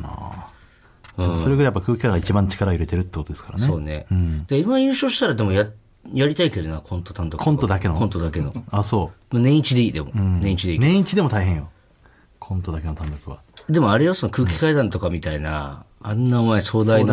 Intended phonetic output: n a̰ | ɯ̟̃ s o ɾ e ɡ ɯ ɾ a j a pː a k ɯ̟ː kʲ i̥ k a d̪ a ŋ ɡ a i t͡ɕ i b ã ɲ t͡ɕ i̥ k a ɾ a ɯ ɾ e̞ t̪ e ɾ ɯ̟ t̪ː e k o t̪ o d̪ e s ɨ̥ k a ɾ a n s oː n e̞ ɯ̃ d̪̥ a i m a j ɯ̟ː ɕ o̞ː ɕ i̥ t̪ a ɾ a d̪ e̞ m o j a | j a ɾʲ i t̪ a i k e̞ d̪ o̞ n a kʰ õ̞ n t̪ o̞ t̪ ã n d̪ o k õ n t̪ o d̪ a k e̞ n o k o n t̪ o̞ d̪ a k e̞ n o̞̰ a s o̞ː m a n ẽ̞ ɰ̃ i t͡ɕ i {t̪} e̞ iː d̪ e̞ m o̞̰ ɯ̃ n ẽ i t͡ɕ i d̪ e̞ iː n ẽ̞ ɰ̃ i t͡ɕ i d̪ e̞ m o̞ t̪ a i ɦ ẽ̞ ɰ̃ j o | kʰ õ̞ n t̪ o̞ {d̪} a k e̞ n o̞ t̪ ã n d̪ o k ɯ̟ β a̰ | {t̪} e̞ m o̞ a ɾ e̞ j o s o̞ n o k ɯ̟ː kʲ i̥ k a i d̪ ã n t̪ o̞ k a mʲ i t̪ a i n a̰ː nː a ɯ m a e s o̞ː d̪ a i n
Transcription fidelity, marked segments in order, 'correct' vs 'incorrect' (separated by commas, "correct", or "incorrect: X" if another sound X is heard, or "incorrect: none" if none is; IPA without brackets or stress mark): incorrect: d̪, correct, incorrect: d̪